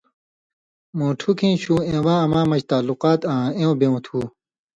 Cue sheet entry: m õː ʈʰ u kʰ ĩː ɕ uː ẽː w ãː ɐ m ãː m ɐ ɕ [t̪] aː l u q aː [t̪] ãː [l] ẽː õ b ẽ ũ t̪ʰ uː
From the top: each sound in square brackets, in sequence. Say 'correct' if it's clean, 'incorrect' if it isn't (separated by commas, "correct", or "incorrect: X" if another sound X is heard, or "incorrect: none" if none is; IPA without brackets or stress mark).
correct, correct, incorrect: none